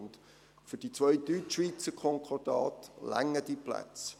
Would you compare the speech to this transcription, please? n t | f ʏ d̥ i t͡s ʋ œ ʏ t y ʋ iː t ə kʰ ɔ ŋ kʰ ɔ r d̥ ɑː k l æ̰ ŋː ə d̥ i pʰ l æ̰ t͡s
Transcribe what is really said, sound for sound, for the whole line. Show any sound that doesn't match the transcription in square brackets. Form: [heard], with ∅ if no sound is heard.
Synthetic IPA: n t | f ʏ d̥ i t͡s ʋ œ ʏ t y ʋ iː [t͡s] ə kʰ ɔ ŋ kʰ ɔ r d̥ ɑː [t] l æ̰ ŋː ə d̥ i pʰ l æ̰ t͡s